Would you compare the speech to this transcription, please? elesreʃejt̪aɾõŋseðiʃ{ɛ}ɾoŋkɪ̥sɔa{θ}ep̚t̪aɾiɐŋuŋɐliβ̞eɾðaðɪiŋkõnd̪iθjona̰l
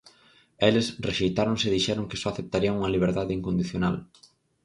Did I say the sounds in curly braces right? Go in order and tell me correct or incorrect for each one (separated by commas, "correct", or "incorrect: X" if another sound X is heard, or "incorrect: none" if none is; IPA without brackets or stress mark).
correct, correct